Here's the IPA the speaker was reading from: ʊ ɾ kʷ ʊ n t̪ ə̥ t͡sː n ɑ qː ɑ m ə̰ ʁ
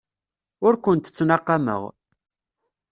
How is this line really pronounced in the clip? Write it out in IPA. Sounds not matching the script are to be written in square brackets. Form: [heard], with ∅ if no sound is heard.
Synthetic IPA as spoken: ʊ ɾ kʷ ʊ n t̪ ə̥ t͡sː n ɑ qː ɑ m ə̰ ʁ

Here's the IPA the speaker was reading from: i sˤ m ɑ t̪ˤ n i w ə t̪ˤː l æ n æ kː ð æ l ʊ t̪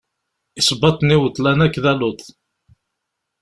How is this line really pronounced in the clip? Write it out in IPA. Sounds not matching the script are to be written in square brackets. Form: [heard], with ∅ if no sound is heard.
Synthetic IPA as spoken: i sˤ [b] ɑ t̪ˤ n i w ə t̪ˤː l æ n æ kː ð æ l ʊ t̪

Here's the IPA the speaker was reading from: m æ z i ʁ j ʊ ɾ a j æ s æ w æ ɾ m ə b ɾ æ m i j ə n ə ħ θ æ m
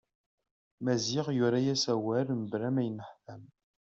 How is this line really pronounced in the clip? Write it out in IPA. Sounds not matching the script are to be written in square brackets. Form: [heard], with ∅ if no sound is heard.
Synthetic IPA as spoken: m æ z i ʁ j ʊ ɾ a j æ s æ w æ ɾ m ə b ɾ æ m [æ] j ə n ə ħ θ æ m

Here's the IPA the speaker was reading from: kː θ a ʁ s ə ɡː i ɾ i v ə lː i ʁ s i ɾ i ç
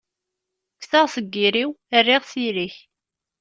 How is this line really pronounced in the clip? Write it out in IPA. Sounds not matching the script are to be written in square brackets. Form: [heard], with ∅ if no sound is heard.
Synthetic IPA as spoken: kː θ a ʁ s ə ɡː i ɾ i [w] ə [rː] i ʁ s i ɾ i ç

